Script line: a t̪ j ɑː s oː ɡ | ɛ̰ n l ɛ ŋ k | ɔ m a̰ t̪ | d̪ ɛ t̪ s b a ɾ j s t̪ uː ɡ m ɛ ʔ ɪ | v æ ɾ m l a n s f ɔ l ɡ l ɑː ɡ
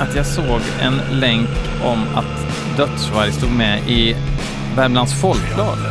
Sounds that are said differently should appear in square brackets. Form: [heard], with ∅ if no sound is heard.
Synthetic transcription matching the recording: a t̪ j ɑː s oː ɡ | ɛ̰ n l ɛ ŋ k | ɔ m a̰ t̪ | d̪ [œ] t̪ s [v] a ɾ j s t̪ uː ɡ m ɛ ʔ ɪ | v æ ɾ m l a n s f ɔ l [k] l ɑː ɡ